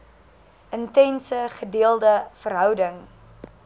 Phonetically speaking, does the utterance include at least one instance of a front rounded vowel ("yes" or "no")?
yes